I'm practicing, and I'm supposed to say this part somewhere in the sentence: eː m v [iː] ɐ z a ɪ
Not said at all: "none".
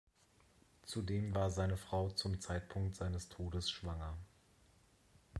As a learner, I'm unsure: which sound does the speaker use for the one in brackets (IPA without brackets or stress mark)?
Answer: aː